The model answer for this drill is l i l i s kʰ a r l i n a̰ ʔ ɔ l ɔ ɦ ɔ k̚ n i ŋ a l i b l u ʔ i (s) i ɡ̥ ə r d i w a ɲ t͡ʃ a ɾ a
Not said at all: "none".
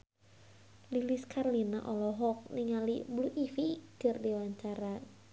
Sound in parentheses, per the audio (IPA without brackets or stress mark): f